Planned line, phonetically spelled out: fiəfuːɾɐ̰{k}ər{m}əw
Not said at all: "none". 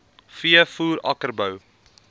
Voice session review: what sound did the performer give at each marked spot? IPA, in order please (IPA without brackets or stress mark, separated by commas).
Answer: k, b